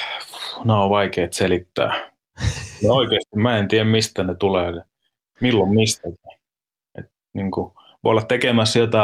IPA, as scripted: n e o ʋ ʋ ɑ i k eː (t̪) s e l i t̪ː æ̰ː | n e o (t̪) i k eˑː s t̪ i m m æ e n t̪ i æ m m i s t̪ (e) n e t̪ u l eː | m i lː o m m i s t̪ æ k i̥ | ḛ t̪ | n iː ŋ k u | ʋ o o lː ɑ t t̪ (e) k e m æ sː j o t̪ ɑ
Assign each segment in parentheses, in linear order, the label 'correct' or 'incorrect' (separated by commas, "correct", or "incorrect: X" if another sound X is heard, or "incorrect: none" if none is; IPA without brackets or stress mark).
correct, incorrect: none, incorrect: æ, correct